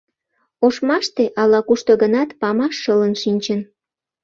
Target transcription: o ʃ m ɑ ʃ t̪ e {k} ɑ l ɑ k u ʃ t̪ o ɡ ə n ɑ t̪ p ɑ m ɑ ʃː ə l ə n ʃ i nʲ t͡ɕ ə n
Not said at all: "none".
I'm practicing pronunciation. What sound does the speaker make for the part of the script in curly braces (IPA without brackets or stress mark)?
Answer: ʔ